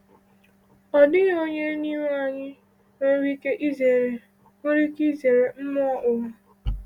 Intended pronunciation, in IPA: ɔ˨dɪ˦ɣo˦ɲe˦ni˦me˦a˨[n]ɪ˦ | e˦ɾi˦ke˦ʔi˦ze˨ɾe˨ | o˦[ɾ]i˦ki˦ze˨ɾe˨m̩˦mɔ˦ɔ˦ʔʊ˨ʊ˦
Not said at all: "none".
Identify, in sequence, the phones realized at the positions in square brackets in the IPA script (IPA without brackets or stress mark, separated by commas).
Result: ɲ, ɾ